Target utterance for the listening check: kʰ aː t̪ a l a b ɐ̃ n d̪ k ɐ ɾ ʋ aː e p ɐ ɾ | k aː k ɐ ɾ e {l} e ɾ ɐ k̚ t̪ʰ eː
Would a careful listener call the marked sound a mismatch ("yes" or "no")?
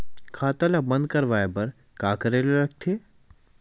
no